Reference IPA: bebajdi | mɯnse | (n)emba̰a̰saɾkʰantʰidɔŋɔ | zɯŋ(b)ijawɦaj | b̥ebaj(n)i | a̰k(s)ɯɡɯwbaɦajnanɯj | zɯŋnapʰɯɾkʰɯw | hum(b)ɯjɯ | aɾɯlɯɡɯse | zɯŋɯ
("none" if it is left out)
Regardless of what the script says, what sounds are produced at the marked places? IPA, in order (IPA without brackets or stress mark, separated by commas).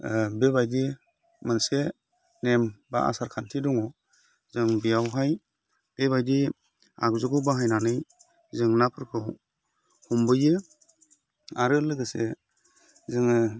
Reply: n, b, d, z, b